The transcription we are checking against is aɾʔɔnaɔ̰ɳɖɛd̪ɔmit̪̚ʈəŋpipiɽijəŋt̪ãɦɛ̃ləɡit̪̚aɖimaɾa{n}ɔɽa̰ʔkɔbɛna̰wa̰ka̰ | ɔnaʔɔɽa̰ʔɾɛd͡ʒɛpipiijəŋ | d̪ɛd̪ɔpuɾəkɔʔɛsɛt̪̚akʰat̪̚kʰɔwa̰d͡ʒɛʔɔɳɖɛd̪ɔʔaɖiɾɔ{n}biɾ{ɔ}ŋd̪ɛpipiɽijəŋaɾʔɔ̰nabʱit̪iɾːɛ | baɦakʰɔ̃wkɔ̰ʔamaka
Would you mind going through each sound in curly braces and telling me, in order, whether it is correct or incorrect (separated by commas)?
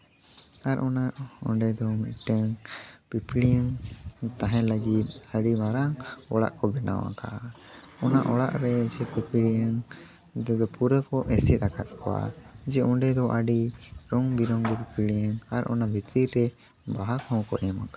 incorrect, incorrect, correct